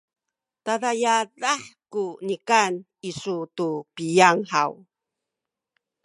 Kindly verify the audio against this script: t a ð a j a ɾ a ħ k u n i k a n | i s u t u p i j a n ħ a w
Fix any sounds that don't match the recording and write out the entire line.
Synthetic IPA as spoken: t a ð a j a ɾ a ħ k u n i k a n | i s u t u p i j a ŋ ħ a w